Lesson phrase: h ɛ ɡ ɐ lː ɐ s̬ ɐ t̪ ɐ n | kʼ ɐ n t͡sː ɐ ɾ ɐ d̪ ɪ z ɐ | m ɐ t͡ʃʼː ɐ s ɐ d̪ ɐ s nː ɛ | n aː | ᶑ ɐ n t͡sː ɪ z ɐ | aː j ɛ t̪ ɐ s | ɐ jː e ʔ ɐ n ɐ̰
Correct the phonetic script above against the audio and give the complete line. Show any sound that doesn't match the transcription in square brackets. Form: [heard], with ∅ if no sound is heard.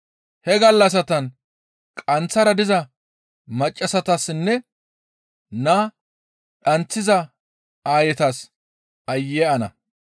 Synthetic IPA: h ɛ ɡ ɐ lː ɐ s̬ ɐ t̪ ɐ n | kʼ ɐ n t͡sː ɐ ɾ ɐ d̪ ɪ z ɐ | m ɐ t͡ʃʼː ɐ s ɐ [t̪] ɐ s nː ɛ | n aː | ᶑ ɐ n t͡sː ɪ z ɐ | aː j ɛ t̪ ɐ s | ɐ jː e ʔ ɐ n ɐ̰

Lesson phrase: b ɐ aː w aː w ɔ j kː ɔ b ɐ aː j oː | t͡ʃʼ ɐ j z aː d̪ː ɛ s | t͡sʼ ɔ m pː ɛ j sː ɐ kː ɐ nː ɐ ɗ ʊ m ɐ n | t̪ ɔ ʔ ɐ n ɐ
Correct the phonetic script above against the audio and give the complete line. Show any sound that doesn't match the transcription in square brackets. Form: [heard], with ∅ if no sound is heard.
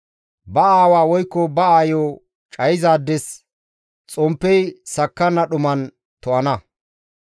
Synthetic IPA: b ɐ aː w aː w ɔ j kː ɔ b ɐ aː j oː | t͡ʃʼ ɐ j z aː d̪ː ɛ s | t͡sʼ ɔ m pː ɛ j [s] ɐ kː ɐ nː ɐ ɗ ʊ m ɐ n | t̪ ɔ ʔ ɐ n ɐ

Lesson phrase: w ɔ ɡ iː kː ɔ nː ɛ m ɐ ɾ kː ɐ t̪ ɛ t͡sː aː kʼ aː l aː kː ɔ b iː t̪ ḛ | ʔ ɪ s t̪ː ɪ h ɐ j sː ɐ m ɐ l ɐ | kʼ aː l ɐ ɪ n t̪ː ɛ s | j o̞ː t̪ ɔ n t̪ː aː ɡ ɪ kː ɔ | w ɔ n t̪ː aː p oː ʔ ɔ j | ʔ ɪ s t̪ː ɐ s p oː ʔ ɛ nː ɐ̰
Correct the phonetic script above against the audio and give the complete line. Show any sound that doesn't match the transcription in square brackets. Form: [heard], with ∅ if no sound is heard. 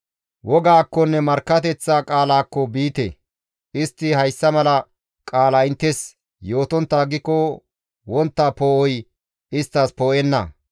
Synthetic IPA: w ɔ ɡ [aː] kː ɔ nː ɛ m ɐ ɾ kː ɐ t̪ ɛ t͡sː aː kʼ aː l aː kː ɔ b iː t̪ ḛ | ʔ ɪ s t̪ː ɪ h ɐ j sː ɐ m ɐ l ɐ | kʼ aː l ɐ ɪ n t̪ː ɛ s | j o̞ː t̪ ɔ n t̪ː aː ɡ ɪ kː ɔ | w ɔ n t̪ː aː p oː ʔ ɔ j | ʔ ɪ s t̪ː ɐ s p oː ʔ ɛ nː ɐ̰

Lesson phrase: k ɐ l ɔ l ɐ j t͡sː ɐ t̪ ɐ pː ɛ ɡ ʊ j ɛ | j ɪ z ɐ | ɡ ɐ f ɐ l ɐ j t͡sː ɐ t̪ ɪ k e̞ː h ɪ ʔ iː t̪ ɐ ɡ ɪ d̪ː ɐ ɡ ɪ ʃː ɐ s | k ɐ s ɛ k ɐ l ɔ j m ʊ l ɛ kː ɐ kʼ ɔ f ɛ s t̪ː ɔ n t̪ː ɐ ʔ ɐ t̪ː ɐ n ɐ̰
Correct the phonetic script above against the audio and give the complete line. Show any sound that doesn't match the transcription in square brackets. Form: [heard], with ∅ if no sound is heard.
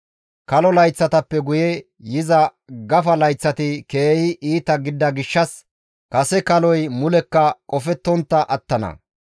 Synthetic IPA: k ɐ l ɔ l ɐ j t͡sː ɐ t̪ ɐ pː ɛ ɡ ʊ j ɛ | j ɪ z ɐ | ɡ ɐ f ɐ l ɐ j t͡sː ɐ t̪ ɪ k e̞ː h ɪ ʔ iː t̪ ɐ ɡ ɪ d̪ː ɐ ɡ ɪ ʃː ɐ s | k ɐ s ɛ k ɐ l ɔ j m ʊ l ɛ kː ɐ kʼ ɔ f ɛ [∅] t̪ː ɔ n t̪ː ɐ ʔ ɐ t̪ː ɐ n ɐ̰

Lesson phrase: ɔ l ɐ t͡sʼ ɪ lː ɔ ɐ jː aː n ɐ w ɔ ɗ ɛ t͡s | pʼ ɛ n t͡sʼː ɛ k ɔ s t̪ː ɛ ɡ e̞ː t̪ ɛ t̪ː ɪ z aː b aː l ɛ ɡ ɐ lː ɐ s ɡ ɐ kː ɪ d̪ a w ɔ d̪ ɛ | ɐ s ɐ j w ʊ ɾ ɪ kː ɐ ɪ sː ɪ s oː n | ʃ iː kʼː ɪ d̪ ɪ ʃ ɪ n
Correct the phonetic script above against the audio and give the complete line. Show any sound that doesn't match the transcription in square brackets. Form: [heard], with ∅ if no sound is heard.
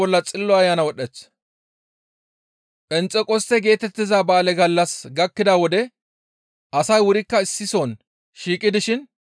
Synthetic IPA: ɔ [lː] ɐ t͡sʼ ɪ lː ɔ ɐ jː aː n ɐ w ɔ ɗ ɛ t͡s | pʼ ɛ n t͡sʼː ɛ [kʼ] ɔ s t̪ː ɛ ɡ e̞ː t̪ ɛ t̪ː ɪ z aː b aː l ɛ ɡ ɐ lː ɐ s ɡ ɐ kː ɪ d̪ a w ɔ d̪ ɛ | ɐ s ɐ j w ʊ ɾ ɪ kː ɐ ɪ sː ɪ s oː n | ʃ iː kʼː ɪ d̪ ɪ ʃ ɪ n

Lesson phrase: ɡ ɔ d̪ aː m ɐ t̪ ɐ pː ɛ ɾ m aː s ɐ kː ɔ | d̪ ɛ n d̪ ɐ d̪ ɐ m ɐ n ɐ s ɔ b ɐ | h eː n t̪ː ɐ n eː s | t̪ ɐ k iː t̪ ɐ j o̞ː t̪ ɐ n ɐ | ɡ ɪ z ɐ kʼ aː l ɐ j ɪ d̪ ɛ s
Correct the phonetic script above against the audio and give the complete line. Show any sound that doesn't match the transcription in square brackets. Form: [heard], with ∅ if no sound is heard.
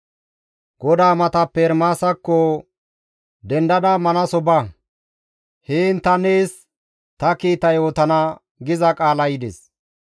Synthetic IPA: ɡ ɔ d̪ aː m ɐ t̪ ɐ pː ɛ ɾ m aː s ɐ kː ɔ | d̪ ɛ n d̪ ɐ d̪ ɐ m ɐ n ɐ s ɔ b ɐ | h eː n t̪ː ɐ n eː s | t̪ ɐ k iː t̪ ɐ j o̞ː t̪ ɐ n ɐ | ɡ ɪ z ɐ kʼ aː l ɐ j ɪ d̪ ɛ s

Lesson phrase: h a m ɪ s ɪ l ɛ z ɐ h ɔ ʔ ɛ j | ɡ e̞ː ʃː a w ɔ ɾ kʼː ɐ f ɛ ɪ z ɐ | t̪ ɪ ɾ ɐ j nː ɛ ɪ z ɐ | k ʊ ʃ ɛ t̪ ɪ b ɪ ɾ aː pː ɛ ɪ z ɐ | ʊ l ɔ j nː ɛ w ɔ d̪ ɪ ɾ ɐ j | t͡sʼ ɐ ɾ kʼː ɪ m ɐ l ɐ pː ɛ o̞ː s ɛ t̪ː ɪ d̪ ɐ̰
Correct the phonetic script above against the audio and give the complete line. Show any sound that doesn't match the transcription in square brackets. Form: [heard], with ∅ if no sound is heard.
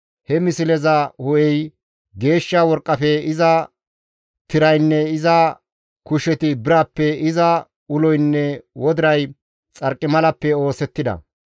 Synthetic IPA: h [ɛ] m ɪ s ɪ l ɛ z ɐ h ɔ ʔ ɛ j | ɡ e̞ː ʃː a w ɔ ɾ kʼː ɐ f ɛ ɪ z ɐ | t̪ ɪ ɾ ɐ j nː ɛ ɪ z ɐ | k ʊ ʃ ɛ t̪ ɪ b ɪ ɾ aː pː ɛ ɪ z ɐ | ʊ l ɔ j nː ɛ w ɔ d̪ ɪ ɾ ɐ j | t͡sʼ ɐ ɾ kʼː ɪ m ɐ l ɐ pː ɛ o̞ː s ɛ t̪ː ɪ d̪ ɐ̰

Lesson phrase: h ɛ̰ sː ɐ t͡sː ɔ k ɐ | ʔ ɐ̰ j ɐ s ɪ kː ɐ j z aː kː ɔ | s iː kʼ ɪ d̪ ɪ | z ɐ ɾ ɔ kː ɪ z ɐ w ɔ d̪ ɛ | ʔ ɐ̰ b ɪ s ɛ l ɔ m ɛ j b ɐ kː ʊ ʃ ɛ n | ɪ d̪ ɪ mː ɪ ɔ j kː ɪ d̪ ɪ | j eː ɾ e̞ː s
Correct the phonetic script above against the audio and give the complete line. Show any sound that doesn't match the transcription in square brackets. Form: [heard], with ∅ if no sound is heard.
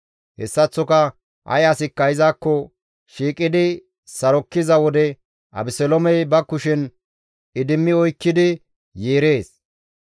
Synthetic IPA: h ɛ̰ sː ɐ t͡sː ɔ k ɐ | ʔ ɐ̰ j ɐ s ɪ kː ɐ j z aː kː ɔ | [ʃ] iː kʼ ɪ d̪ ɪ | [s] ɐ ɾ ɔ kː ɪ z ɐ w ɔ d̪ ɛ | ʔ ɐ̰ b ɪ s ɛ l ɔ m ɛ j b ɐ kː ʊ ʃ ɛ n | ɪ d̪ ɪ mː ɪ ɔ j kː ɪ d̪ ɪ | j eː ɾ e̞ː s

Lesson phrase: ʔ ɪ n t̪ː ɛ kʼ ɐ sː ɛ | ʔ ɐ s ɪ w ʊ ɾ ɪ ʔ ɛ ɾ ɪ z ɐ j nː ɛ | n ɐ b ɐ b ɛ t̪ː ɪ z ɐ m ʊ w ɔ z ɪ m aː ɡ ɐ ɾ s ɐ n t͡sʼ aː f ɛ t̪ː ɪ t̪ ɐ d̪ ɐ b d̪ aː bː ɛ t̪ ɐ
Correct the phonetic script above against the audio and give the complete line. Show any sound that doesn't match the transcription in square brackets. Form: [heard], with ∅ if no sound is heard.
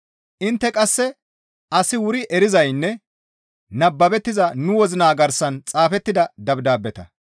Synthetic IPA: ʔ ɪ n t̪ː ɛ kʼ ɐ sː ɛ | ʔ ɐ s ɪ w ʊ ɾ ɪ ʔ ɛ ɾ ɪ z ɐ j nː ɛ | n ɐ [bː] ɐ b ɛ t̪ː ɪ z ɐ [n] ʊ w ɔ z ɪ [n] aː ɡ ɐ ɾ s ɐ n t͡sʼ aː f ɛ t̪ː ɪ [d̪] ɐ d̪ ɐ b d̪ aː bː ɛ t̪ ɐ

